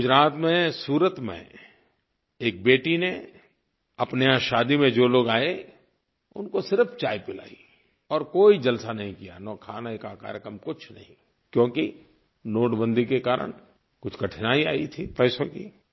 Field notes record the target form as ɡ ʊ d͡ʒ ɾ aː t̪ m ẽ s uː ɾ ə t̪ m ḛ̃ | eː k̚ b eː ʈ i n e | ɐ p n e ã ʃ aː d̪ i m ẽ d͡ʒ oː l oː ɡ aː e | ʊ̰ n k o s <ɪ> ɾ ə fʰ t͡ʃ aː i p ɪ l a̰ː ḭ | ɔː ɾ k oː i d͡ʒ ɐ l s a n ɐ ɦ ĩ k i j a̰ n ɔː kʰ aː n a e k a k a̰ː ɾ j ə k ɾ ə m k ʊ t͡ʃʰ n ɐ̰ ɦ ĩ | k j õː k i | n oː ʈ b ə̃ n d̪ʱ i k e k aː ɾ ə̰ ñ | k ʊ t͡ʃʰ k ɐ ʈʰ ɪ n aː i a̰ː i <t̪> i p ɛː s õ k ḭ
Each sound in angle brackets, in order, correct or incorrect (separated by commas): correct, incorrect